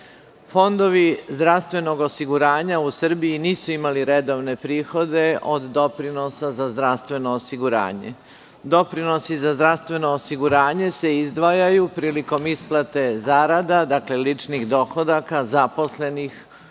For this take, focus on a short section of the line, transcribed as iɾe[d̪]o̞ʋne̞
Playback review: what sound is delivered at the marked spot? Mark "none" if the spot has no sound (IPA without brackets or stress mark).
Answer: d̪